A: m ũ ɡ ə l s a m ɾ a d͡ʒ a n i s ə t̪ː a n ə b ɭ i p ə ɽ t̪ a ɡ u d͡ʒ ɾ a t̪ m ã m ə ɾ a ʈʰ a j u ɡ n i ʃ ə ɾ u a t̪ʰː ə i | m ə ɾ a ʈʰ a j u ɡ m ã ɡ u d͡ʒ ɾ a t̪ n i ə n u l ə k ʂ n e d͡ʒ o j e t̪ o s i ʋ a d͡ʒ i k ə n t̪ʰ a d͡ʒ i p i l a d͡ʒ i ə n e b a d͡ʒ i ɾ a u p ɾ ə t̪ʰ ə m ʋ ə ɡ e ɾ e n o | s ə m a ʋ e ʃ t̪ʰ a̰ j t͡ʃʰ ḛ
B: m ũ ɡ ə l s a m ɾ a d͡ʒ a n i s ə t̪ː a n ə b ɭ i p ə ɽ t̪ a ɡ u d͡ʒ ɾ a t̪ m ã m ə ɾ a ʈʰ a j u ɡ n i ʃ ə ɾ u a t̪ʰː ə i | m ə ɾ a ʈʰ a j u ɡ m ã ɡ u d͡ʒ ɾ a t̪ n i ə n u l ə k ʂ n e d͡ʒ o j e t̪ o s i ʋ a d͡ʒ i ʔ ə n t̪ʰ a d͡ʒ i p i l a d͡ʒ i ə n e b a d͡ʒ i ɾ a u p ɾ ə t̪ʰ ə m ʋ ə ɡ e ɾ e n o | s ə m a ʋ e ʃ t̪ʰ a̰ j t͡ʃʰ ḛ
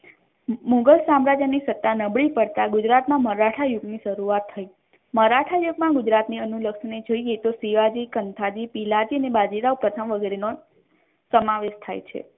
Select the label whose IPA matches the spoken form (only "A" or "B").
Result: A